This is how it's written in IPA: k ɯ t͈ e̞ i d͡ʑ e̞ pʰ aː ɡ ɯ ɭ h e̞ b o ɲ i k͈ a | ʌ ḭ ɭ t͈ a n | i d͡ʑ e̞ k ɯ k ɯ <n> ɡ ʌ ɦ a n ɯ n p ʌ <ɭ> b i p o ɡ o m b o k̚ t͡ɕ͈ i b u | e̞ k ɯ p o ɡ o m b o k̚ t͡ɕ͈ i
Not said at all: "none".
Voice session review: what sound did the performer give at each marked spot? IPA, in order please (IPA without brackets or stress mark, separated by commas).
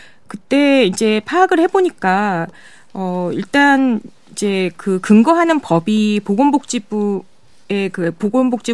ŋ, none